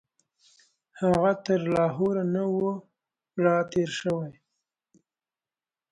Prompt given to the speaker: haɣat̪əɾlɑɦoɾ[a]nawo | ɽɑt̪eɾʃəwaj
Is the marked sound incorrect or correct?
correct